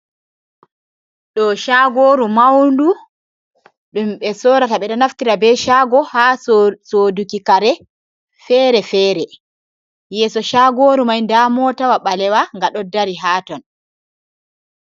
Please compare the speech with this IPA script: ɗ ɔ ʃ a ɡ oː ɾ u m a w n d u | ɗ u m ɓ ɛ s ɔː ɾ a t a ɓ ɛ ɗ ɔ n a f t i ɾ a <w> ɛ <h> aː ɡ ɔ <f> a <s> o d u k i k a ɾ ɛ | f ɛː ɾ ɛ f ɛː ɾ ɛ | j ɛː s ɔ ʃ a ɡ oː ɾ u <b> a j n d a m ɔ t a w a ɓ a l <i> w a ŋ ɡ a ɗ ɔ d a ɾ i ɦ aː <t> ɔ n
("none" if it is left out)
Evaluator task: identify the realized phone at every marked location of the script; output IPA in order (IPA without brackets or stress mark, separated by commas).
b, ʃ, h, s, m, ɛ, t